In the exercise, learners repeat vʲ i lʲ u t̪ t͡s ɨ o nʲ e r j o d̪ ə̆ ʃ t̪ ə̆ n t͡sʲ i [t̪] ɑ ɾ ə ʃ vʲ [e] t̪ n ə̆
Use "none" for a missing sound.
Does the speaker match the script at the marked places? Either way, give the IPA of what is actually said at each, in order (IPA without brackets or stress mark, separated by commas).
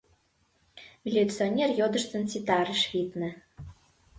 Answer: t̪, i